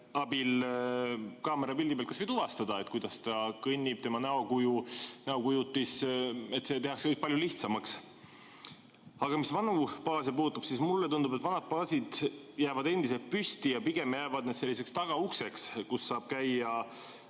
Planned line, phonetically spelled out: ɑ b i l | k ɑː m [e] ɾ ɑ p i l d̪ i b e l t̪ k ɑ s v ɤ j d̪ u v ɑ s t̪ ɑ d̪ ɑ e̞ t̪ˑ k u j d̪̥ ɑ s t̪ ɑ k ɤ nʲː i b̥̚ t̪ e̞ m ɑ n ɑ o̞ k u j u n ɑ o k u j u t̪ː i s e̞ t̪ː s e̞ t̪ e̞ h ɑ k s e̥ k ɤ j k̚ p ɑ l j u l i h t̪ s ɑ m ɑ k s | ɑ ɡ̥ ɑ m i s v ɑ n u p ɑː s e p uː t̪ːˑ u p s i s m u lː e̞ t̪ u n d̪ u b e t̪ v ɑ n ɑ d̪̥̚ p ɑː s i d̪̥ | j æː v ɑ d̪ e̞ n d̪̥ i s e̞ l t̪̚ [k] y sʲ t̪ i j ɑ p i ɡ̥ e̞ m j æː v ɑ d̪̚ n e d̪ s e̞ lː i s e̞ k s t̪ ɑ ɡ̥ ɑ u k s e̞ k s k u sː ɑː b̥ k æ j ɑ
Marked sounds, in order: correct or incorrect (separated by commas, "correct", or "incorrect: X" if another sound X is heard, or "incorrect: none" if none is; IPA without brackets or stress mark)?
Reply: correct, incorrect: p